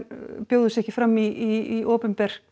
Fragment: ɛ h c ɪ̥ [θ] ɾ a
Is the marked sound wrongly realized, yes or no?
yes